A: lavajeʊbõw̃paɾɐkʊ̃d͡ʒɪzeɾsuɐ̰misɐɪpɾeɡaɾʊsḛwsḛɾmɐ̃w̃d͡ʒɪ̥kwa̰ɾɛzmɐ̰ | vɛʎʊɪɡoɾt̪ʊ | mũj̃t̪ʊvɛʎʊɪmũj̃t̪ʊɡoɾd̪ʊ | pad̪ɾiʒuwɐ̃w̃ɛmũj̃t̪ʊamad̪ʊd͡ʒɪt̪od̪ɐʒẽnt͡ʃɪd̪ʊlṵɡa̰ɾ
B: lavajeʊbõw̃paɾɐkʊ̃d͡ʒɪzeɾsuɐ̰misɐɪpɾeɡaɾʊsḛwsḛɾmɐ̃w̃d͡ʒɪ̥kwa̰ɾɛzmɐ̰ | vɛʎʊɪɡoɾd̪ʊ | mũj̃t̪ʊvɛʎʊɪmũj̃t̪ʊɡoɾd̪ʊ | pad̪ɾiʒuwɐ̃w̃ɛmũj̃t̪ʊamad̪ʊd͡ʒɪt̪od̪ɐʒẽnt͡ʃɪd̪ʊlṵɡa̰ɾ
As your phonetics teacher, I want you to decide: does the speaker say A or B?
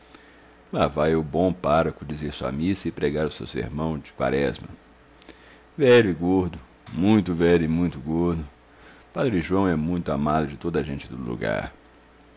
B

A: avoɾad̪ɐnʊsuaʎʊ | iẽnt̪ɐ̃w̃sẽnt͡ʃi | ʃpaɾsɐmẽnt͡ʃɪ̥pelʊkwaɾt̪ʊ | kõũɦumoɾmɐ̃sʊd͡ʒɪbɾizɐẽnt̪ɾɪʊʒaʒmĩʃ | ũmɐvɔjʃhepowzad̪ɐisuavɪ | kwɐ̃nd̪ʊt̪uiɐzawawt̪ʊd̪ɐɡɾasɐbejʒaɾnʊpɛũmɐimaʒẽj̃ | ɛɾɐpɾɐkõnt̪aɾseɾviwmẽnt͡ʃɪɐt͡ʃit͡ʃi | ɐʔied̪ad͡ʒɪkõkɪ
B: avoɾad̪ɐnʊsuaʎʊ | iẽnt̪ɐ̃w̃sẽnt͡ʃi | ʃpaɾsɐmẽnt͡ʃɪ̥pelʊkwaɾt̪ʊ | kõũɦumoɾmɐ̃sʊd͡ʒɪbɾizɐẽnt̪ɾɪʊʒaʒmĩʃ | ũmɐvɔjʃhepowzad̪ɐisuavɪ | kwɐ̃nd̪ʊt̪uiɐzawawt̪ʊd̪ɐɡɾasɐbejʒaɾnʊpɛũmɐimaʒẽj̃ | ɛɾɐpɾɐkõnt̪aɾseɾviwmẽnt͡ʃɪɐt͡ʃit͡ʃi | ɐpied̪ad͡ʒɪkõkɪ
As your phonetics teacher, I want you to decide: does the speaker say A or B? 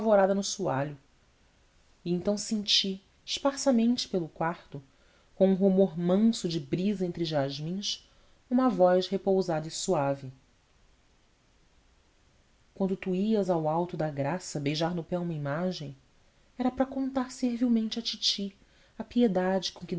B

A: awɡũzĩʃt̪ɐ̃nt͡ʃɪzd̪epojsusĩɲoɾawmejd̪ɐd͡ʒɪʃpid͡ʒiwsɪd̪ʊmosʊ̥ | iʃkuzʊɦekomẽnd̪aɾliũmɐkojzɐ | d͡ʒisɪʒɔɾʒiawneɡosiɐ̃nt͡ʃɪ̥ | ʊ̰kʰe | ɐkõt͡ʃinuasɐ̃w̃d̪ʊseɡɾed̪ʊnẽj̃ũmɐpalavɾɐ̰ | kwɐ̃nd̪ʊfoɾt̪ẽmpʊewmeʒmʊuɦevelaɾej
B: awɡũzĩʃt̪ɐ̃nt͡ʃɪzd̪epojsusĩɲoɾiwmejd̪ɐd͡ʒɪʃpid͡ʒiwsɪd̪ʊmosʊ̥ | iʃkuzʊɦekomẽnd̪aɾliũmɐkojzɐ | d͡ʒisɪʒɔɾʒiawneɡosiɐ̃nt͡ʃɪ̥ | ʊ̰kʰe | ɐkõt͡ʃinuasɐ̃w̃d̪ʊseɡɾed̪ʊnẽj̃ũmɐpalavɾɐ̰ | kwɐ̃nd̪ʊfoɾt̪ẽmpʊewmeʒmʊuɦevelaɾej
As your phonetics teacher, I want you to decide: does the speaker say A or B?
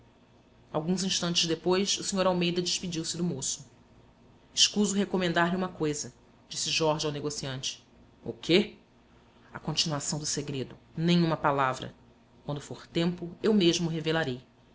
A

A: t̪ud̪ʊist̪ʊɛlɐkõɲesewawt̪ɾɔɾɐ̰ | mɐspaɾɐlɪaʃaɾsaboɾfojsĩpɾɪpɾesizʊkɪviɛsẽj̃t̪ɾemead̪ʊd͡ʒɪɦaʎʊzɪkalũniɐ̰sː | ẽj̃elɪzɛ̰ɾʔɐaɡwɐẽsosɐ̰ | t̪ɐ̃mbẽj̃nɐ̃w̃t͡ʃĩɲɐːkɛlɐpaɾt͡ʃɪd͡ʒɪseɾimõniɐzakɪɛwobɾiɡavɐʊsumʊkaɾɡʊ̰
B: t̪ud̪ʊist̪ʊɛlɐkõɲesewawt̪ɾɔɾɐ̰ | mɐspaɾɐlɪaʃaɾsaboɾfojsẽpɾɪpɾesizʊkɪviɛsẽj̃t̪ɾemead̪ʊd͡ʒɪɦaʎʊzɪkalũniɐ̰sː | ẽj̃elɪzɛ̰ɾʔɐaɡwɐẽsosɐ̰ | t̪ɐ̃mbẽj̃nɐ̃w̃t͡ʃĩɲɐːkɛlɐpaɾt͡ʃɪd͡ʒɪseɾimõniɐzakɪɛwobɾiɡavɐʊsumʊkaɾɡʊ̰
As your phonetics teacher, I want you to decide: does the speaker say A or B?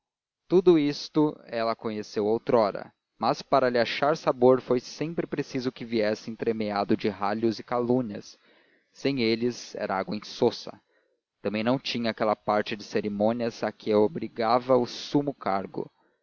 B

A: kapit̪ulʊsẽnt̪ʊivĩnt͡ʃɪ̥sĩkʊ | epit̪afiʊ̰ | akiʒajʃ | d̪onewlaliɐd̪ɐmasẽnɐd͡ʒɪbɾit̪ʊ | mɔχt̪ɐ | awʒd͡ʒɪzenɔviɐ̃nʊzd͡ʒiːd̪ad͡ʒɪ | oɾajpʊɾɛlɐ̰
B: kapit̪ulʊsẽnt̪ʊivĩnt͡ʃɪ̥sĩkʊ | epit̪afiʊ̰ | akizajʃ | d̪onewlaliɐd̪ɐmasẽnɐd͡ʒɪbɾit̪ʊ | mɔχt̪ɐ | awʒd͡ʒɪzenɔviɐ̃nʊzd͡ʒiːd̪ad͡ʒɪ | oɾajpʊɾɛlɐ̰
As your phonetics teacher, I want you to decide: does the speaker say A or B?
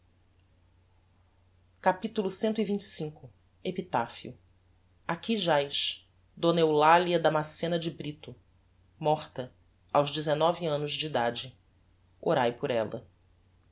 A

